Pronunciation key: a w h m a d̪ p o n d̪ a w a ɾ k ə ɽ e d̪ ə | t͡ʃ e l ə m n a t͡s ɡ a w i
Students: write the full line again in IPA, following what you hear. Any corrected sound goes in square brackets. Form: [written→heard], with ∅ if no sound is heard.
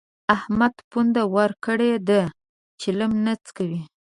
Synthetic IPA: a [w→∅] h m a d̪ p [o→u] n d̪ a w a ɾ k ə ɽ e d̪ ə | t͡ʃ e l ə m n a t͡s [ɡ→k] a w i

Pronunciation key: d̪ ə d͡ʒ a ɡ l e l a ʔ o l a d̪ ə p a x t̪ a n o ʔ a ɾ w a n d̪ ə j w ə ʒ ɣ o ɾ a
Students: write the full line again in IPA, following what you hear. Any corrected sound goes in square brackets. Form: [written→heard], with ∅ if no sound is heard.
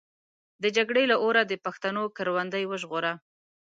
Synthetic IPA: d̪ ə d͡ʒ a ɡ [l→ɽ] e l a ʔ o [l→ɾ] a d̪ ə p a x t̪ a n o [ʔ→k] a ɾ w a n d̪ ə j w ə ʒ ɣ o ɾ a

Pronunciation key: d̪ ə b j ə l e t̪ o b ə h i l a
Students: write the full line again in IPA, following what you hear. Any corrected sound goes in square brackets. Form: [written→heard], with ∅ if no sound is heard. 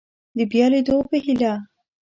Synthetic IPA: d̪ ə b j [ə→ɑ] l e [t̪→d̪] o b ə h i l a

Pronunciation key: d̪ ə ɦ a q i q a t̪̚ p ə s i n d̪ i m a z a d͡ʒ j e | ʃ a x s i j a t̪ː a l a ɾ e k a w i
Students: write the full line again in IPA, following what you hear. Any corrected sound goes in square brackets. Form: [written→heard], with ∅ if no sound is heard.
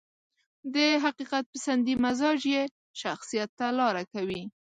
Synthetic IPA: d̪ ə ɦ a q i q a t̪̚ p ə s [i→a] n d̪ i m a z [a→ɑ] d͡ʒ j e | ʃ a x s i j a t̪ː a l [a→ɑ] ɾ [e→a] k a w i

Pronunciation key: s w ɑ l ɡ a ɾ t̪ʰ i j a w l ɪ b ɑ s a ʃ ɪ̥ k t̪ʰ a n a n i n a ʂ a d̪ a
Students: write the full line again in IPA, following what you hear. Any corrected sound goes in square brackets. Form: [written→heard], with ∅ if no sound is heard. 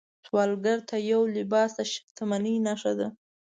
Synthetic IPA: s w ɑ l ɡ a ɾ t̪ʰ [i→a] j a w l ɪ b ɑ s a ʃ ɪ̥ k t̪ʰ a [n→m] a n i n a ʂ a d̪ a

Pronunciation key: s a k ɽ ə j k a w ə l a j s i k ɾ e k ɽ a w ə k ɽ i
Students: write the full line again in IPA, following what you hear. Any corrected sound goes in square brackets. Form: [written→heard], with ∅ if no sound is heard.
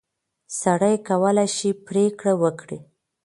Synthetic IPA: s a [k→∅] ɽ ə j k a w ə l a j [s→ʃ] i [k→p] ɾ e k ɽ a w ə k ɽ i

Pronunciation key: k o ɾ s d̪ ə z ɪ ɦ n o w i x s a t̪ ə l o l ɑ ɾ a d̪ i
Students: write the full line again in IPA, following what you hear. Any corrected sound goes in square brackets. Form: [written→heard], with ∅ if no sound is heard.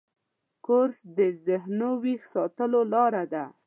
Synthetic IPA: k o ɾ s d̪ ə z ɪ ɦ n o w i x s [a→ɑ] t̪ ə l o l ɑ ɾ a d̪ [i→a]

